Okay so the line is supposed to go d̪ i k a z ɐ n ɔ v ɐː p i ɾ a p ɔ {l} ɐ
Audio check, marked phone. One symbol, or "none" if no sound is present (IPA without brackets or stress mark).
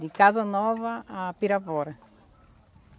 ɾ